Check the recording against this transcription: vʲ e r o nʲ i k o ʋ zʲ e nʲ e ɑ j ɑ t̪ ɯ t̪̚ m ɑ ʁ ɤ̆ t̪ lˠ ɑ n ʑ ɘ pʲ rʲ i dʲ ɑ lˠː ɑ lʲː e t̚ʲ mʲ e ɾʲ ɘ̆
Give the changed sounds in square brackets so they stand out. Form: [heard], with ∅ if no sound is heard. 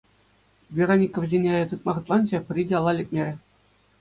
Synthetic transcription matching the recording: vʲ e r o nʲ i k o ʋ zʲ e nʲ e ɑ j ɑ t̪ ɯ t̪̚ m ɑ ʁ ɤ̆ t̪ lˠ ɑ n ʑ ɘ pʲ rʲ i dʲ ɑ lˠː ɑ [lʲ] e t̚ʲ mʲ e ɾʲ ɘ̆